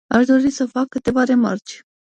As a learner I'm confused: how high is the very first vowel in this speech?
low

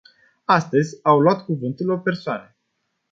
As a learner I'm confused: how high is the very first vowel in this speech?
low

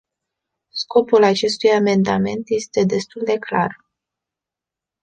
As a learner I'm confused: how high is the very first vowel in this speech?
mid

